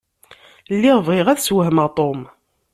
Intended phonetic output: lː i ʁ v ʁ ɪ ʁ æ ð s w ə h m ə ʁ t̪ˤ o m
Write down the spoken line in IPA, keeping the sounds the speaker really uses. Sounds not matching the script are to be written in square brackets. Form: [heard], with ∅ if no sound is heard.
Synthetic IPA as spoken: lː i ʁ v ʁ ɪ ʁ æ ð s w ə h m ə ʁ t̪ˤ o m